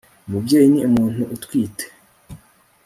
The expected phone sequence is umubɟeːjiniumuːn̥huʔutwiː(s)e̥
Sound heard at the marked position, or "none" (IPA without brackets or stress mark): t